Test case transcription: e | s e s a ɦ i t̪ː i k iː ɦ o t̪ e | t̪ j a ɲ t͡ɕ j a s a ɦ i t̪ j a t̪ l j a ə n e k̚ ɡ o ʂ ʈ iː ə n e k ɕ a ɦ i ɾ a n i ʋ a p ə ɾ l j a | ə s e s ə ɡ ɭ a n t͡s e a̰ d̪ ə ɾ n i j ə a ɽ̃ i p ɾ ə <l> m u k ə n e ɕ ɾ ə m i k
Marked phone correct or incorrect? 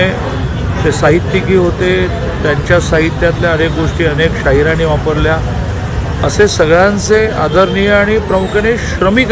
incorrect